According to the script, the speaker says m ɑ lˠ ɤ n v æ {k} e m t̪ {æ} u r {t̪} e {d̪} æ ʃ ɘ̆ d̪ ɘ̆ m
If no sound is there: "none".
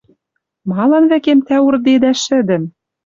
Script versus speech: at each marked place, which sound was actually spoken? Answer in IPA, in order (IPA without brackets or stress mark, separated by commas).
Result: k, æ, d̪, d̪